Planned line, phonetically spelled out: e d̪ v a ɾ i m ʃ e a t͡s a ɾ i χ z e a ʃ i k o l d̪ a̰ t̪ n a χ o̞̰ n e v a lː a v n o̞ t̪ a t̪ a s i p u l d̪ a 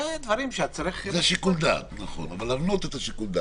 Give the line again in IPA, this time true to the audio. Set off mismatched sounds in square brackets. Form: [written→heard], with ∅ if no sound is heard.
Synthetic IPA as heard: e d̪ v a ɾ i m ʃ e a t͡s a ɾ i χ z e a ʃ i k [o→u] l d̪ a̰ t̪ n a χ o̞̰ n [e→a] v a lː a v n o̞ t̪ [a→e] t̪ a [s→ʃ] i [p→k] u l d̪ a